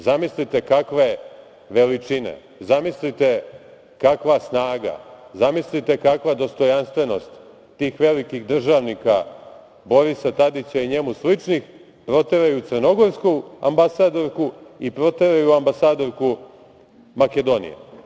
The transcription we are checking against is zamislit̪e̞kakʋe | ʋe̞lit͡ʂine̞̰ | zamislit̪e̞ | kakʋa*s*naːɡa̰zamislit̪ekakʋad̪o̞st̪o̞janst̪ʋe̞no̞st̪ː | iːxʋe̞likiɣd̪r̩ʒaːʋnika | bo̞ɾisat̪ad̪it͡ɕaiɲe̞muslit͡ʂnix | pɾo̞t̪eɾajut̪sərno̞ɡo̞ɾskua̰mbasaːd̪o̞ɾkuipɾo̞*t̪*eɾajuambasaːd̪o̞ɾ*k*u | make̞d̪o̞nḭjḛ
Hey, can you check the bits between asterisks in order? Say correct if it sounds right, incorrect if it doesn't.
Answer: correct, correct, correct

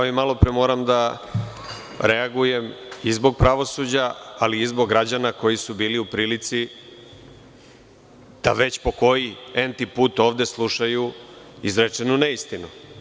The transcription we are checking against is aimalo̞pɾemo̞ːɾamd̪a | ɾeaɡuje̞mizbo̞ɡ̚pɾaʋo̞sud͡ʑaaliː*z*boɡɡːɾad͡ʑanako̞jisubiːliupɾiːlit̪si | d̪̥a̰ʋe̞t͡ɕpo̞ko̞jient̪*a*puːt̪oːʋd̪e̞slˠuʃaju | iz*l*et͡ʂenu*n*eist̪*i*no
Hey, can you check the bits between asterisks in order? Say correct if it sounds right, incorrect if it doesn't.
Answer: correct, incorrect, incorrect, correct, correct

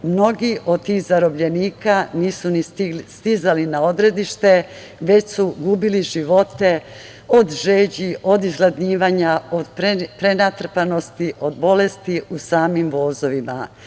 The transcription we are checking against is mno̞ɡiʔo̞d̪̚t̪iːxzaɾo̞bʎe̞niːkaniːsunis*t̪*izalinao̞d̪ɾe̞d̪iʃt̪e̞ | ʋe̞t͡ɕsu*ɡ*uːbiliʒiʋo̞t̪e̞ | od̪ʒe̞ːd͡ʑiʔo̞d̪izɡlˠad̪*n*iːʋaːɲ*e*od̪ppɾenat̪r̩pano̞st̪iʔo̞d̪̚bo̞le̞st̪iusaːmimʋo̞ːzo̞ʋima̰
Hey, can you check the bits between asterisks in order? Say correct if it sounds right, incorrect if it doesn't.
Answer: correct, correct, incorrect, incorrect

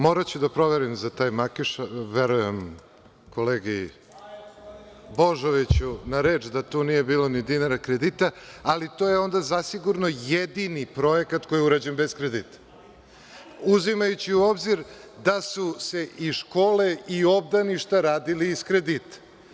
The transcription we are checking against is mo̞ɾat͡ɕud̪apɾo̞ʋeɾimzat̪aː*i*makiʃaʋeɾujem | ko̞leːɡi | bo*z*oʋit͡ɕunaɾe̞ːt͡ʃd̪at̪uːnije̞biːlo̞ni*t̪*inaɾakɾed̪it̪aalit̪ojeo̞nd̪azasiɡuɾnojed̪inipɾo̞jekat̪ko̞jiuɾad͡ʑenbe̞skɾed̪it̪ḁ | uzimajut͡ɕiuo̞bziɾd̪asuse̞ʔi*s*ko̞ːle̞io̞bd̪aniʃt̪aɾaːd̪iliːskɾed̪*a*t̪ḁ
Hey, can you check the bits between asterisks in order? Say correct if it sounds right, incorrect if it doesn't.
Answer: incorrect, incorrect, incorrect, incorrect, incorrect

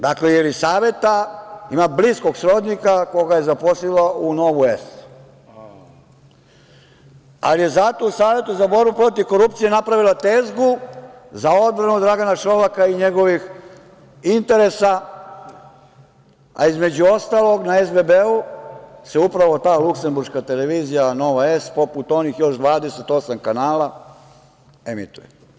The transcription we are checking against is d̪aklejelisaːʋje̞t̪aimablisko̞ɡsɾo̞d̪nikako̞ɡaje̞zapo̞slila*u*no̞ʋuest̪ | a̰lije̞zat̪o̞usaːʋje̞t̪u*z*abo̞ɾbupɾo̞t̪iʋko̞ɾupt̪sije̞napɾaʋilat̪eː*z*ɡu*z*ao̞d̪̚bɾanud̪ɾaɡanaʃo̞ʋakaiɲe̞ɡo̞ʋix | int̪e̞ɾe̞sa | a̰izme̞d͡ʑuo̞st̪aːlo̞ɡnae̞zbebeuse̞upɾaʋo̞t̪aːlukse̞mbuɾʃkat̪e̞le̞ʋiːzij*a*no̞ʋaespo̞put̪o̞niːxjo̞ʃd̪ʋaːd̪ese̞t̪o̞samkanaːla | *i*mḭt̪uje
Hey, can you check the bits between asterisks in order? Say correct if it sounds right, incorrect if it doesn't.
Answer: correct, correct, correct, correct, correct, incorrect

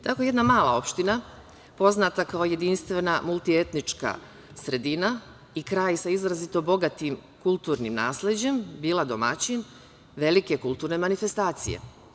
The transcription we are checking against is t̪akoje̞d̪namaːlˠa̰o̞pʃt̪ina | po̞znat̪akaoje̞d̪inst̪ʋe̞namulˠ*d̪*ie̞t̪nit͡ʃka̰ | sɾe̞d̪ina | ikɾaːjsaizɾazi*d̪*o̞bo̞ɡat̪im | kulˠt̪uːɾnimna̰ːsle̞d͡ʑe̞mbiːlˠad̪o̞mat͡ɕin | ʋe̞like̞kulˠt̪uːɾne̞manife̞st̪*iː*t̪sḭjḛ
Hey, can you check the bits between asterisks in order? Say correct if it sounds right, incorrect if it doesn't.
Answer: incorrect, incorrect, incorrect

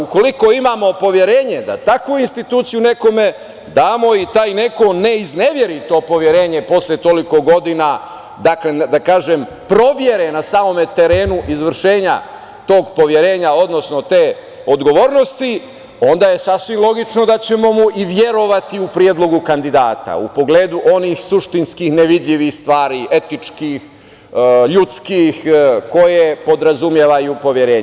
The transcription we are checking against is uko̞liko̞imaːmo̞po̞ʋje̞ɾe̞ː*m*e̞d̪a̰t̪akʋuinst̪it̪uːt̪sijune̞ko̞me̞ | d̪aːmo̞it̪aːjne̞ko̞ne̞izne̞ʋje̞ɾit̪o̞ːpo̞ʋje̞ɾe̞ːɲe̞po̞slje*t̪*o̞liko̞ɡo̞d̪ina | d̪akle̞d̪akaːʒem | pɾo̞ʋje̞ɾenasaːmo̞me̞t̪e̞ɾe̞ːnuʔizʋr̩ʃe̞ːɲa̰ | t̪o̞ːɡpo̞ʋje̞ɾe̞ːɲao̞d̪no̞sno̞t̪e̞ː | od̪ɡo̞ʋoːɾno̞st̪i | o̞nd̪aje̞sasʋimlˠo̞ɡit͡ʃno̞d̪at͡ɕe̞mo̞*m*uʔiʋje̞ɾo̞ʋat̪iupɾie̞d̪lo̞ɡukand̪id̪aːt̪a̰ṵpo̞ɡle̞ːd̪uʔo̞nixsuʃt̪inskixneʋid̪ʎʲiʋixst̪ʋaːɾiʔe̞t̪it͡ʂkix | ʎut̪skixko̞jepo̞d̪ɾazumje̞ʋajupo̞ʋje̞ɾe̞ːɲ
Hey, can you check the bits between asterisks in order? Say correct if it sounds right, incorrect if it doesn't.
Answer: incorrect, correct, correct

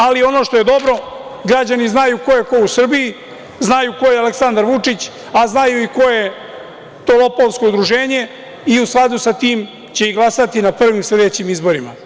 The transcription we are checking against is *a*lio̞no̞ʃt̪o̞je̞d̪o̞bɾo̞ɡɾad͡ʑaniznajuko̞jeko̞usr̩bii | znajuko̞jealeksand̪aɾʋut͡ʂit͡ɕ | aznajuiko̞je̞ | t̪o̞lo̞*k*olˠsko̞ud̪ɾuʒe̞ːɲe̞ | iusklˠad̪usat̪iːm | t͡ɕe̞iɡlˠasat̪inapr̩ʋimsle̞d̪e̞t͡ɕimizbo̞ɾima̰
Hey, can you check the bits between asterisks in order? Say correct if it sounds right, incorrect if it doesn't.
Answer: correct, incorrect

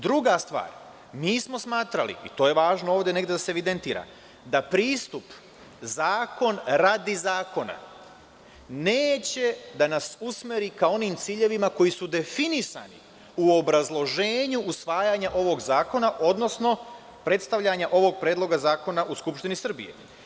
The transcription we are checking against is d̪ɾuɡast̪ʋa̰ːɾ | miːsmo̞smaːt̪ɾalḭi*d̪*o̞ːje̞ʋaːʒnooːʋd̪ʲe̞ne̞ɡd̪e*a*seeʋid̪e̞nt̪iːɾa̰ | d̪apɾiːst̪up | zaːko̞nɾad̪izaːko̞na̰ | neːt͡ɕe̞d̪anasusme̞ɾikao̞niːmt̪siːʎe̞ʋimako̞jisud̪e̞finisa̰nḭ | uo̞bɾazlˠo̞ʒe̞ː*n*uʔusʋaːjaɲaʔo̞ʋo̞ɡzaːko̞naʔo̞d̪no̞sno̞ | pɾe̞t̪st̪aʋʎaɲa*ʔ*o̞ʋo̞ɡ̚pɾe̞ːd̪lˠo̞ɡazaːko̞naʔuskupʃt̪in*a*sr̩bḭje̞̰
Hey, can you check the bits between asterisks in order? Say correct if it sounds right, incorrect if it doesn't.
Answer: incorrect, correct, incorrect, correct, incorrect

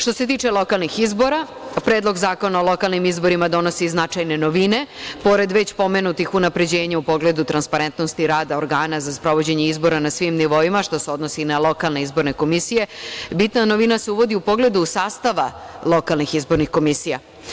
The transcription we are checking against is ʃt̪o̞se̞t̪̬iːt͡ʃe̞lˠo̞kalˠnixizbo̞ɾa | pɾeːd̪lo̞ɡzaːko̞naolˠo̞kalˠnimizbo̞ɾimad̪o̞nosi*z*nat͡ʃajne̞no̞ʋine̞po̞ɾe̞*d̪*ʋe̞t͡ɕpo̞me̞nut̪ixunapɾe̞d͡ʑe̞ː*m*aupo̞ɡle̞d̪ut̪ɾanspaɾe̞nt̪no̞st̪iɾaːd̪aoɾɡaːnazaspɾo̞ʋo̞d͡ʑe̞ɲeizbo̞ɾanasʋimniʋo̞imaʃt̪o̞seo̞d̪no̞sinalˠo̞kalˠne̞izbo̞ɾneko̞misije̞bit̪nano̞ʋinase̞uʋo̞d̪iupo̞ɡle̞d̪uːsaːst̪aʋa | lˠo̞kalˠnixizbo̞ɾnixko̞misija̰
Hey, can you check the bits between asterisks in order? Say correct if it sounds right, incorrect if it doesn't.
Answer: correct, correct, incorrect

